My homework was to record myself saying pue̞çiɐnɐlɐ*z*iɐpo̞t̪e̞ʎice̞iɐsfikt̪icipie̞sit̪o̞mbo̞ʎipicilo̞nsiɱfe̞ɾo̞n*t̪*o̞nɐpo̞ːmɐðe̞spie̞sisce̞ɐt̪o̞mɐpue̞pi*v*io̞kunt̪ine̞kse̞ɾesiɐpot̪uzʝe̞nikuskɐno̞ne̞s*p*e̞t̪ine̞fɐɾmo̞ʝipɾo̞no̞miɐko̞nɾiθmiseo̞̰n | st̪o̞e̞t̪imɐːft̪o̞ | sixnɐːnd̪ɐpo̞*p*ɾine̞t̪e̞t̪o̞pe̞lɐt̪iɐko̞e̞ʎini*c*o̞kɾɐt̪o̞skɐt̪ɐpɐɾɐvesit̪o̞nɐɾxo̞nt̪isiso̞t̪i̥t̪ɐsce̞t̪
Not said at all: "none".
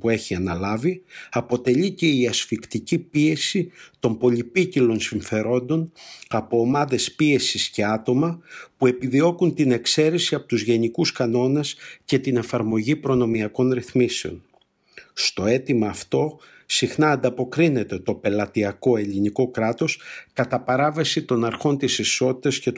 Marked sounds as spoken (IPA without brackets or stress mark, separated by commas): v, d̪, ð, c, k, k